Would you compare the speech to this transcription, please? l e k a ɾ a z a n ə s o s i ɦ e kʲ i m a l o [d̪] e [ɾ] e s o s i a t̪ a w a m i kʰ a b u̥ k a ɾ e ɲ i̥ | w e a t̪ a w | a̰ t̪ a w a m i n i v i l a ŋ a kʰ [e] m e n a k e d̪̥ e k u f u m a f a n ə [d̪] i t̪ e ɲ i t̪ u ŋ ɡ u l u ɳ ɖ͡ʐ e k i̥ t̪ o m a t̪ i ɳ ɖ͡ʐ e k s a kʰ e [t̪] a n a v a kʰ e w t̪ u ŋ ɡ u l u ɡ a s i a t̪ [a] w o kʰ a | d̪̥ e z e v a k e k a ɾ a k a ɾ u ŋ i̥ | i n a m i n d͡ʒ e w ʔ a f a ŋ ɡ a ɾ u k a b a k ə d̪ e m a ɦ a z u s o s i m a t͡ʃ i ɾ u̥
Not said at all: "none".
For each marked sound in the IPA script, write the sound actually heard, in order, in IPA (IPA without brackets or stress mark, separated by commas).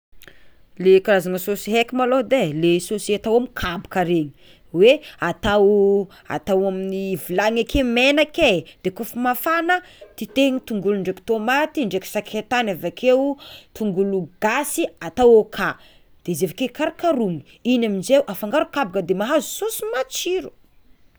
d̪, l, e, t̪, t̪, a